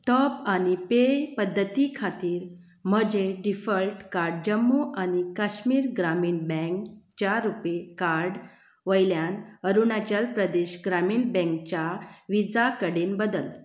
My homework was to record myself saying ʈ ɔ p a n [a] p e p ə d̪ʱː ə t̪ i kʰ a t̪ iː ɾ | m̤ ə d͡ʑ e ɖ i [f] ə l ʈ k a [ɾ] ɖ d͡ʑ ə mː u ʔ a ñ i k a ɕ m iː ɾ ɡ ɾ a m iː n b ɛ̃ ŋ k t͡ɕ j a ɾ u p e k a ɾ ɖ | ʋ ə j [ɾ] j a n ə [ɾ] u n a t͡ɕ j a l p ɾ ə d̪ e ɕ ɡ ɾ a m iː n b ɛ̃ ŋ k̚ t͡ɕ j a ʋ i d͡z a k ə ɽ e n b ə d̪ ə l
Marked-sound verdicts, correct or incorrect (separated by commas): incorrect, correct, correct, incorrect, correct